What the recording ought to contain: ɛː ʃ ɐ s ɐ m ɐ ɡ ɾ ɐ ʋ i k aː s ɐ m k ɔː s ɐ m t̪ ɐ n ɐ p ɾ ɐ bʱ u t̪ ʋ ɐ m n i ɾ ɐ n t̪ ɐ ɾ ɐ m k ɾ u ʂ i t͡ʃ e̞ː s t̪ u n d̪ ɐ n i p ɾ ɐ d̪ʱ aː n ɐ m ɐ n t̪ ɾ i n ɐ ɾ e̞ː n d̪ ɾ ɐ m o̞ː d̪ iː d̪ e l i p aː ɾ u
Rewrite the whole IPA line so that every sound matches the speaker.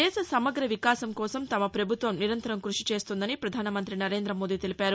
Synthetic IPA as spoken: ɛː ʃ ɐ s ɐ m ɐ ɡ ɾ ɐ ʋ i k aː s ɐ m k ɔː s ɐ m t̪ ɐ m ɐ p ɾ ɐ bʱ u t̪ ʋ ɐ m n i ɾ ɐ n t̪ ɐ ɾ ɐ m k ɾ u ʂ i t͡ʃ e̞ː s t̪ u n d̪ ɐ n i p ɾ ɐ d̪ʱ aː n ɐ m ɐ n t̪ ɾ i n ɐ ɾ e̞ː n d̪ ɾ ɐ m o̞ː d̪ iː t̪ e l i p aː ɾ u